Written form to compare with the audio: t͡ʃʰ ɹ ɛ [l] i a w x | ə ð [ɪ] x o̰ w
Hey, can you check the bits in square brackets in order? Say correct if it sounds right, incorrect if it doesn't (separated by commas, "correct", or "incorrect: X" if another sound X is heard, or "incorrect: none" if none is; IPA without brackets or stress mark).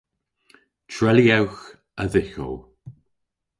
correct, correct